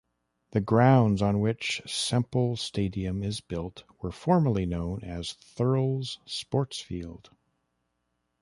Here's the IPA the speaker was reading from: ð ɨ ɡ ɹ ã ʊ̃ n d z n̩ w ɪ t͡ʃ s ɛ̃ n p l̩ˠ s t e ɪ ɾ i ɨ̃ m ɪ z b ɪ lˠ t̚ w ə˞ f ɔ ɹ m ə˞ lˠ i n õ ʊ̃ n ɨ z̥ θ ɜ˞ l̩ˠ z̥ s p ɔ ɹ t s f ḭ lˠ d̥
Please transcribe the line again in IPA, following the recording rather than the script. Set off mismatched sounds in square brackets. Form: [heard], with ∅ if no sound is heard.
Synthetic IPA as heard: ð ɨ ɡ ɹ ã ʊ̃ n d z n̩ w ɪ t͡ʃ s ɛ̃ [m] p l̩ˠ s t e ɪ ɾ i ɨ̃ m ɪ z b ɪ lˠ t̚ w ə˞ f ɔ ɹ m ə˞ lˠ i n õ ʊ̃ n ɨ z̥ θ ɜ˞ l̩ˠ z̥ s p ɔ ɹ t s f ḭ lˠ d̥